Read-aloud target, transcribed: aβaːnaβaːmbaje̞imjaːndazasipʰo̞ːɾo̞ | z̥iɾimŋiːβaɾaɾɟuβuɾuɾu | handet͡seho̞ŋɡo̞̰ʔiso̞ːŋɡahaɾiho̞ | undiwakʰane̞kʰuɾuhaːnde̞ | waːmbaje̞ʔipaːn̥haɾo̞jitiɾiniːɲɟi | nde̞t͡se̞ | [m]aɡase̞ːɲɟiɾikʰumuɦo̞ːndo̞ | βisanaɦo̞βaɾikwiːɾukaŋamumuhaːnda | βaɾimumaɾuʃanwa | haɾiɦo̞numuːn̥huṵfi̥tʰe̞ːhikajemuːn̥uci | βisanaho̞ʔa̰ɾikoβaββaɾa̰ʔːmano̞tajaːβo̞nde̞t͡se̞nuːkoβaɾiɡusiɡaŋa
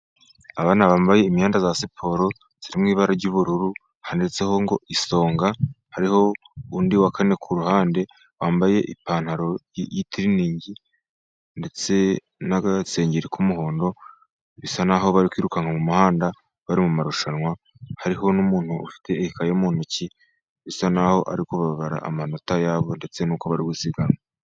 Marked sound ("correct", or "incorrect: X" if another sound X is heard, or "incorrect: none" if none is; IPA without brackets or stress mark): incorrect: n